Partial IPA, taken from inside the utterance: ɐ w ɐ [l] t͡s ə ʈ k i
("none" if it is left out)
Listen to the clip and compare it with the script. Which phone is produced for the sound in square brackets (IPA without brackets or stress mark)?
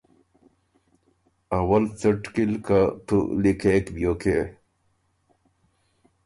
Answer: l